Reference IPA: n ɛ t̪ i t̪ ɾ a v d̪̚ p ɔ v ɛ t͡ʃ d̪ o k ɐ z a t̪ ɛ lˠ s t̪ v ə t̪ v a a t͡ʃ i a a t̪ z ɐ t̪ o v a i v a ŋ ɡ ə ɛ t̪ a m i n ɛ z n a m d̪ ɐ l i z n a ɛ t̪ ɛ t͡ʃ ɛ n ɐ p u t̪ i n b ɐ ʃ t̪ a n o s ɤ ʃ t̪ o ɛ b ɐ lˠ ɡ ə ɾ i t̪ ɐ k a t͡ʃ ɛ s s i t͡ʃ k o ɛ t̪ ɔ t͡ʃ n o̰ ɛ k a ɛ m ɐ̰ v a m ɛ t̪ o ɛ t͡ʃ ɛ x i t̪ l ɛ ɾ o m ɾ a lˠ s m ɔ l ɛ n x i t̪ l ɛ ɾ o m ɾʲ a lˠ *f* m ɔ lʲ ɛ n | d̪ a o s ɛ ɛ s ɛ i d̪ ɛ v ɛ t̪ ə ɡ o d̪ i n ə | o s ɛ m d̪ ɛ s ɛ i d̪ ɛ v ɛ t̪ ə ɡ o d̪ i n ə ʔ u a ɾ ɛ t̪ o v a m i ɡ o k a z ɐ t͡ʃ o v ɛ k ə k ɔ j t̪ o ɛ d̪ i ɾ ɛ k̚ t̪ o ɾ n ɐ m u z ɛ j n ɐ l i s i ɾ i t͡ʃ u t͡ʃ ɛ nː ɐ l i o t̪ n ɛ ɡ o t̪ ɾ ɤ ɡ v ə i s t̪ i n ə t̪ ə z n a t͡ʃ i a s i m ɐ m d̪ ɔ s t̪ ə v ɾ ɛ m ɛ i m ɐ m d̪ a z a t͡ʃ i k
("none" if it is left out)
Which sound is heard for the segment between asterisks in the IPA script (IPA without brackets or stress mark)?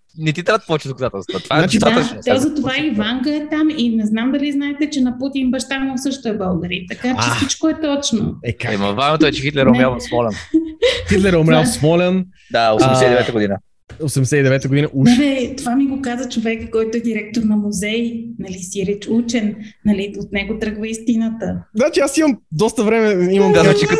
s